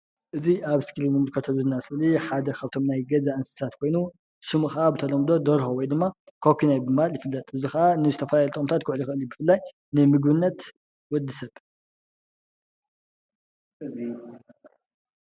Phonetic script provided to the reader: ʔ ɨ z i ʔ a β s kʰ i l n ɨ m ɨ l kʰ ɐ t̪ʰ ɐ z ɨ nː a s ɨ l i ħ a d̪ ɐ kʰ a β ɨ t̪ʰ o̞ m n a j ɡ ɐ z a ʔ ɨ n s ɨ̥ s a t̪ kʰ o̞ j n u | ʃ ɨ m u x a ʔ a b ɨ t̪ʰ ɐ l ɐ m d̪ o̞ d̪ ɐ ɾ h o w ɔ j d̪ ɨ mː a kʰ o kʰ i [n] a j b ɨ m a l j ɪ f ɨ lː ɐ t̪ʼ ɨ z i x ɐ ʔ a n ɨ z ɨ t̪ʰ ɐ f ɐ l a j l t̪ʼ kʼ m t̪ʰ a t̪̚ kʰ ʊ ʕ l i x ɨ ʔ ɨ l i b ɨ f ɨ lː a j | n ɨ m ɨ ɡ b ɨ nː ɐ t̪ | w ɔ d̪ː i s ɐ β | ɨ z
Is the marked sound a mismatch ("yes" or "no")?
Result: no